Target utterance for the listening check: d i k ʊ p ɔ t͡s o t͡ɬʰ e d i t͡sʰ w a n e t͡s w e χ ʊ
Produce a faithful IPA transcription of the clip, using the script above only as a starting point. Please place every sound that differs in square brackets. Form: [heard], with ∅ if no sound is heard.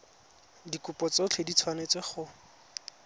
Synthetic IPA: d i k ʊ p ɔ t͡s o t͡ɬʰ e d i t͡sʰ w a n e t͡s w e χ ʊ